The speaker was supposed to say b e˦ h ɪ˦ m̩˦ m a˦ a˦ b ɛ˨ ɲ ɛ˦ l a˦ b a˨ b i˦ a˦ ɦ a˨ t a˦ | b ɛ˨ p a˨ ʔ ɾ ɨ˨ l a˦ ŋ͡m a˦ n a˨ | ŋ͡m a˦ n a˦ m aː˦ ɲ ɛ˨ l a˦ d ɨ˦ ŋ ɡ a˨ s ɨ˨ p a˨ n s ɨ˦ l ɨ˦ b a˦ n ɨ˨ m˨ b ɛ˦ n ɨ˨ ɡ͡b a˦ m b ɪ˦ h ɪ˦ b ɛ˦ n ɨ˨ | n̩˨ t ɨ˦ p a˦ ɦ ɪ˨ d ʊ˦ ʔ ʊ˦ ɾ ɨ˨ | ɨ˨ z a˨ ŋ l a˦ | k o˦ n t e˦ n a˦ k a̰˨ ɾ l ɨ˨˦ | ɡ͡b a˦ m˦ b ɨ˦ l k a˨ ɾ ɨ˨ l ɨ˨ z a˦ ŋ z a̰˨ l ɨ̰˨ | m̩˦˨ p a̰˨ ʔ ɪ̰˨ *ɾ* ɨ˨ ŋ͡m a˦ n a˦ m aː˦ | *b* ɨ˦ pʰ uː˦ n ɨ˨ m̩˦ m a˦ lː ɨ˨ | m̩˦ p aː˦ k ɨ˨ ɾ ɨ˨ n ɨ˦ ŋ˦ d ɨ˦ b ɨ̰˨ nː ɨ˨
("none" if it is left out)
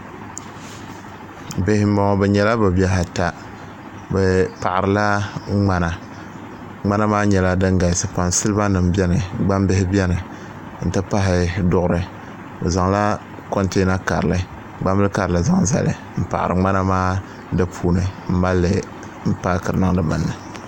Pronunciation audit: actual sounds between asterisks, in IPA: ɾ, d

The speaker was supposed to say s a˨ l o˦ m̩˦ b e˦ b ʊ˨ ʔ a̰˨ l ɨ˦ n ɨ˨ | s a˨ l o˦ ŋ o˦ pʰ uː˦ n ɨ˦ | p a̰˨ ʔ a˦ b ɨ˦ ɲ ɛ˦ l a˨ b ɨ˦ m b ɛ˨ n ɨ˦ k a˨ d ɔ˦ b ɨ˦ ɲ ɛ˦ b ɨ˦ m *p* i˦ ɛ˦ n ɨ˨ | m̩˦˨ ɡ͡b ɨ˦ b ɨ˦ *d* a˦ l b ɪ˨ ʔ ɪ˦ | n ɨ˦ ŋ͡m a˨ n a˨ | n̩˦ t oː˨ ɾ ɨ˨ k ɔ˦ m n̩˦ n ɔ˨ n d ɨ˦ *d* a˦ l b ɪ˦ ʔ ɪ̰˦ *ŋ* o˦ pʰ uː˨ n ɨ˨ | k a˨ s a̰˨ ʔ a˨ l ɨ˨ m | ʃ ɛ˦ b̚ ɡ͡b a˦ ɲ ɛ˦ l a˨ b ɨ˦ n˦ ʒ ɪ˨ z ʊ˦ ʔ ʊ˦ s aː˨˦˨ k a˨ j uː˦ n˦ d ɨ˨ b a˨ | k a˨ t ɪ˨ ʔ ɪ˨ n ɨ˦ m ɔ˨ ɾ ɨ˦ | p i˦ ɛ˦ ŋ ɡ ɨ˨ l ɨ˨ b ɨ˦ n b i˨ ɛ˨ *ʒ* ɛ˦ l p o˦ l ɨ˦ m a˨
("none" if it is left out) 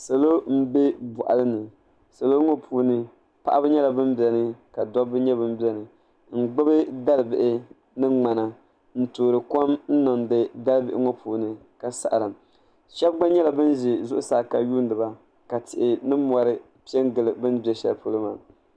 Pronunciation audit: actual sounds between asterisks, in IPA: b, d, d, ŋ, ʃ

